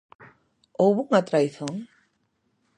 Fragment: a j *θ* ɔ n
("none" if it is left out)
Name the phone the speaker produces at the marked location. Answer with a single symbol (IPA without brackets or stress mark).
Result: θ